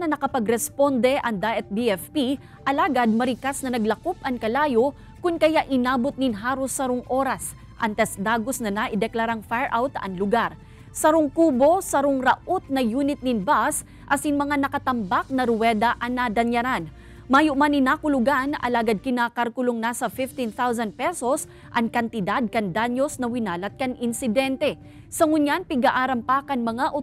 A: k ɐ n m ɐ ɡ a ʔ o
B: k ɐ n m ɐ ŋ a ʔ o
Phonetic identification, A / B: B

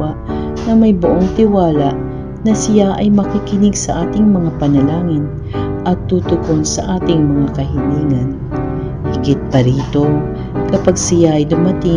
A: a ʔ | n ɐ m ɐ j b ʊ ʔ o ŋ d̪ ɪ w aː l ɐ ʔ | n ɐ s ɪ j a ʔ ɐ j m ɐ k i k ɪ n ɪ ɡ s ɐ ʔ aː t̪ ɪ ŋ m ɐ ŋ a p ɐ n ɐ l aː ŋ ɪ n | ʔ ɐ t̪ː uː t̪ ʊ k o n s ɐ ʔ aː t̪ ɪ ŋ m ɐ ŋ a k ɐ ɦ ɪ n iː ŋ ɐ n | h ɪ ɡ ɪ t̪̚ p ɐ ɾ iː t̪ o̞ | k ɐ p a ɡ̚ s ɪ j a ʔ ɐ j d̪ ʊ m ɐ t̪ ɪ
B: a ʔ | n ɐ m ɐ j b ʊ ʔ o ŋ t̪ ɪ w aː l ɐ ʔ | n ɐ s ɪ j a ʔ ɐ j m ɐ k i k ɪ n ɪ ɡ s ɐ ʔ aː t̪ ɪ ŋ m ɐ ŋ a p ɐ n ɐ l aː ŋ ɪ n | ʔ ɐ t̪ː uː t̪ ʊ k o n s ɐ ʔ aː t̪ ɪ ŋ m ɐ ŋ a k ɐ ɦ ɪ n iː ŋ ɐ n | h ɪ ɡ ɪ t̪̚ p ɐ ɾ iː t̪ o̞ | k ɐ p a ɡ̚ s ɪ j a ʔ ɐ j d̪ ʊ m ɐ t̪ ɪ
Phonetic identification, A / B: B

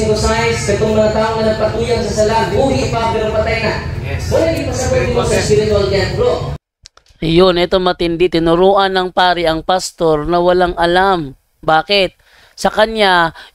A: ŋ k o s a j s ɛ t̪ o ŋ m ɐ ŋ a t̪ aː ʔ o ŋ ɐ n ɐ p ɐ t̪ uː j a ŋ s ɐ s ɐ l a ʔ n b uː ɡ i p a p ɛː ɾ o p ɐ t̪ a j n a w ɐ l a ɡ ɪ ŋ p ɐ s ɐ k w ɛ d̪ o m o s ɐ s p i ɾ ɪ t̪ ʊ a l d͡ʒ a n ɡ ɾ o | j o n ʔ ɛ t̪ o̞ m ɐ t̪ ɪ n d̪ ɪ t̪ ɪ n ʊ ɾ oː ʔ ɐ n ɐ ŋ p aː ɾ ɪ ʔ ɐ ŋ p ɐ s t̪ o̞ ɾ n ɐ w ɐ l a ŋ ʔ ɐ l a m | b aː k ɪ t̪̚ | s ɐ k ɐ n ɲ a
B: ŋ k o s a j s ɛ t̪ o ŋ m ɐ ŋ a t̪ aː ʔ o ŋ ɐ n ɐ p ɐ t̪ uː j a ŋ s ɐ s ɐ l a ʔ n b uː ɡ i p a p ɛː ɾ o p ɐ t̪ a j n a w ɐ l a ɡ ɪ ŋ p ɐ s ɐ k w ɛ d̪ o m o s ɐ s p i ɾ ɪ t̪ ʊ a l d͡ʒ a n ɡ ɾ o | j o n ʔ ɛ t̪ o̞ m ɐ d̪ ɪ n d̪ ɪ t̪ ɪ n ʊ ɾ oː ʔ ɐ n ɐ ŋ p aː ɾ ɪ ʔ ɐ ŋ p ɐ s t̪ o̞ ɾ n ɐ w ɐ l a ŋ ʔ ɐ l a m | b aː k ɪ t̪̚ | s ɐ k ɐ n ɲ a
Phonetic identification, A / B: A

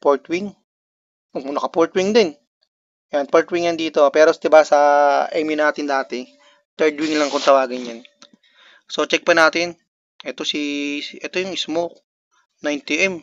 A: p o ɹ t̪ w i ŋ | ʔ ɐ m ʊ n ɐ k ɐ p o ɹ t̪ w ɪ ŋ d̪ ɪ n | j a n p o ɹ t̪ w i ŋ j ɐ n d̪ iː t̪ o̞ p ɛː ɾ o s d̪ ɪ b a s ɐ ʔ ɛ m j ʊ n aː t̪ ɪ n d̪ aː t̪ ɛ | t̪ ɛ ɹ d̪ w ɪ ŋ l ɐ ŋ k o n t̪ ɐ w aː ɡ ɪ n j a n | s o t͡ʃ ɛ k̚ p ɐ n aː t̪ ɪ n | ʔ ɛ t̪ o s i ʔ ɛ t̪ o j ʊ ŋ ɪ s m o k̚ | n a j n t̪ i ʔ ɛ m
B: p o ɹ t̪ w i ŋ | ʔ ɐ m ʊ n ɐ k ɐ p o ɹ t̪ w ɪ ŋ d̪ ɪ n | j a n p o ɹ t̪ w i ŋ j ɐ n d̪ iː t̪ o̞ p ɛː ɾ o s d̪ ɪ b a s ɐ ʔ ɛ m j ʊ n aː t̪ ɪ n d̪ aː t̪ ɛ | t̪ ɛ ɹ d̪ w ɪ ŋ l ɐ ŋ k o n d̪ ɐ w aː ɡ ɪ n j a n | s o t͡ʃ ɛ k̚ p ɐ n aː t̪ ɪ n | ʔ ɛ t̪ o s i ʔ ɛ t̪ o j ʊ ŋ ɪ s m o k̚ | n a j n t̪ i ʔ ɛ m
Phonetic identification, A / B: A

